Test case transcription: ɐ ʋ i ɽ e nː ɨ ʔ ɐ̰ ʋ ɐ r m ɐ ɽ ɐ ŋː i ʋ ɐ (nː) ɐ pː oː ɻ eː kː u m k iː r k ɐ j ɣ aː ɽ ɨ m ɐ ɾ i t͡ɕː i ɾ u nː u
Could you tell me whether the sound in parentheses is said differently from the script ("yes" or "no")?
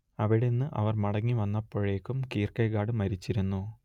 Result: no